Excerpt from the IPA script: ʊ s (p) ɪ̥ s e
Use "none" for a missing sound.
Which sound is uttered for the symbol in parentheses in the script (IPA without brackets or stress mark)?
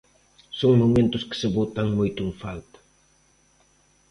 k